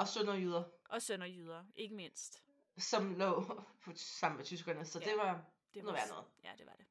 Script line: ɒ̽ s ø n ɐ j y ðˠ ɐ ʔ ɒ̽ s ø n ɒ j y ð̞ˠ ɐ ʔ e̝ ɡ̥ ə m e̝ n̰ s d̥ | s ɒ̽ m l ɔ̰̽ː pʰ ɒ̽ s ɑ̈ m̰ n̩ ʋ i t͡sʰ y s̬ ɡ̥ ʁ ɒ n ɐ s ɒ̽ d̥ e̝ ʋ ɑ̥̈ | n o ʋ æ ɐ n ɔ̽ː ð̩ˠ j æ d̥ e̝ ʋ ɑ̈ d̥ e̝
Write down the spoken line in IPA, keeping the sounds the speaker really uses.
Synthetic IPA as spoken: ɒ̽ s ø n ɐ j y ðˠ ɐ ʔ ɒ̽ s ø n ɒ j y ð̞ˠ ɐ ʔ e̝ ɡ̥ ə m e̝ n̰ s d̥ | s ɒ̽ m l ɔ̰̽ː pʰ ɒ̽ s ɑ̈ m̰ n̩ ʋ e t͡sʰ y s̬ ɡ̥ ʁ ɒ n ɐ s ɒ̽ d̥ e̝ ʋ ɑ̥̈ | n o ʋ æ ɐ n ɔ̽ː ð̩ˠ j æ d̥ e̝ ʋ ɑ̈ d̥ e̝